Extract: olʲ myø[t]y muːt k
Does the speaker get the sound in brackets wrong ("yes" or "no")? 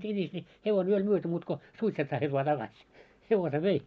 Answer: no